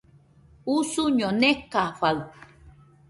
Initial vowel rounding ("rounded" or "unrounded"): rounded